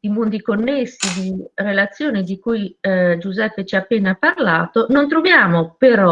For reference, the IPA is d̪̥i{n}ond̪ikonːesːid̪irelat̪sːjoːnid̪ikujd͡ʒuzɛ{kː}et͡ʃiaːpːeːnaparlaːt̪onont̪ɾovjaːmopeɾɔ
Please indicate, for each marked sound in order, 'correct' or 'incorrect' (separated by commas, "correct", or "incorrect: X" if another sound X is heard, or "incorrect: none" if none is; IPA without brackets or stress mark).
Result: incorrect: m, incorrect: pː